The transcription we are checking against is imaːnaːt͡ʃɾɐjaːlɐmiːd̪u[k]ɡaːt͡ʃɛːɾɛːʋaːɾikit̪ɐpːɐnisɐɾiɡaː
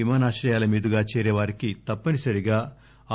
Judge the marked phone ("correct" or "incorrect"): incorrect